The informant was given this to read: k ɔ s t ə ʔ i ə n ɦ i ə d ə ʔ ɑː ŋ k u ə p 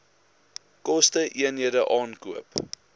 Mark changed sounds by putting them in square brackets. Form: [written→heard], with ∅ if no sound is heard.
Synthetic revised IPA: k ɔ s t ə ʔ i ə n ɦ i ə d ə ʔ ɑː [ŋ→n] k u ə p